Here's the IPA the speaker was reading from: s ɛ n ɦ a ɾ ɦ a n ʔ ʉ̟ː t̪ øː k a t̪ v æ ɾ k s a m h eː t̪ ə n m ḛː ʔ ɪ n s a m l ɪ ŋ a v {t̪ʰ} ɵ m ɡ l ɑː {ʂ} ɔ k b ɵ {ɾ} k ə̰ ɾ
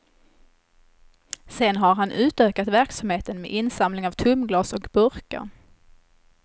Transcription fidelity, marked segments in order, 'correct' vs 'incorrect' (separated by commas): correct, incorrect, correct